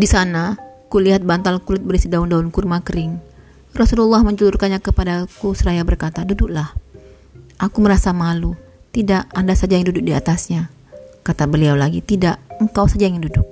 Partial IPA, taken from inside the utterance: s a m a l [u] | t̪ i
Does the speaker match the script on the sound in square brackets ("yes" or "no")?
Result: yes